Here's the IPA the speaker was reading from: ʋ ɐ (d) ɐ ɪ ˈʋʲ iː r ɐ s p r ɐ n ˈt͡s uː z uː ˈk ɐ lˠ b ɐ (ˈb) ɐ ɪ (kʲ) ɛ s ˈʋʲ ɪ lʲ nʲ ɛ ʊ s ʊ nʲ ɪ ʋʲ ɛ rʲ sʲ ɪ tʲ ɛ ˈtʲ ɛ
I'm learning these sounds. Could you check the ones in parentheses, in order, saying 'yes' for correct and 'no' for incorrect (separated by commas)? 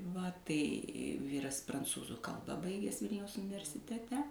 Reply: no, yes, no